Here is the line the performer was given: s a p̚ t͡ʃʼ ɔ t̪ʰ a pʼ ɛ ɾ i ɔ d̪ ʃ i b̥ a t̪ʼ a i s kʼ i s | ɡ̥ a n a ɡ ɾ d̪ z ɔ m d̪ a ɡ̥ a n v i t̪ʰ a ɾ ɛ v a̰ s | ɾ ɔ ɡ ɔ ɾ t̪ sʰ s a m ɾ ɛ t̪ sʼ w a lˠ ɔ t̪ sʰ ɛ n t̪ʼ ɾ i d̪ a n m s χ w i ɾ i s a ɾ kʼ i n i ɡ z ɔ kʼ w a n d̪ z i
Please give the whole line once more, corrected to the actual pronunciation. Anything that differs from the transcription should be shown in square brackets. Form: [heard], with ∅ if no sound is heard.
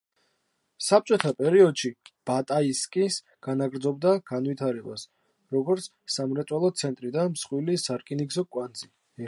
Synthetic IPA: s a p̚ t͡ʃʼ ɔ t̪ʰ a pʼ ɛ ɾ i ɔ d̪ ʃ i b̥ a t̪ʼ a i s kʼ i s | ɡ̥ a n a ɡ ɾ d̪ z ɔ [b] d̪ a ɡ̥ a n v i t̪ʰ a ɾ ɛ [b] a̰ s | ɾ ɔ ɡ ɔ ɾ t̪ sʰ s a m ɾ ɛ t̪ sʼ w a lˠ ɔ t̪ sʰ ɛ n t̪ʼ ɾ i d̪ a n m s χ w i [l] i s a ɾ kʼ i n i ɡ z ɔ kʼ w a n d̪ z i